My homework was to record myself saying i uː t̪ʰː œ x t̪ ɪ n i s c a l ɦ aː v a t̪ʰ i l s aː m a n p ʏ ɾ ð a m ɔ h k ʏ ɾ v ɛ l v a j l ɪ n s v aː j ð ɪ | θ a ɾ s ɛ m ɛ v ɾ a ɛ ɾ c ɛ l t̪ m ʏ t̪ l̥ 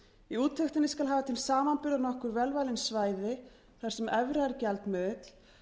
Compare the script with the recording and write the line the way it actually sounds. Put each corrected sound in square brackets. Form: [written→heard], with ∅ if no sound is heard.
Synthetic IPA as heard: i uː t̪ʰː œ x t̪ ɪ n [i→ɪ] s [c→k] a l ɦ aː v a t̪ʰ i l s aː m a n p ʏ ɾ ð a [m→n] ɔ h k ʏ ɾ v ɛ l v a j l ɪ n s v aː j ð ɪ | θ a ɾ s ɛ m ɛ v ɾ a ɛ ɾ c ɛ l t̪ m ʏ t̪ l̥